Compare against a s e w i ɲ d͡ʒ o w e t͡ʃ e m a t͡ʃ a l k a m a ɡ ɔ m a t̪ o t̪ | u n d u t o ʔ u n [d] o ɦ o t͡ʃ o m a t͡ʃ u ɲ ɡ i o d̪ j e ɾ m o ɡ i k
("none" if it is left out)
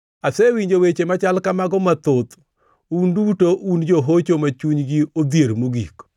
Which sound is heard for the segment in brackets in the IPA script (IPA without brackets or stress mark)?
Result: d͡ʒ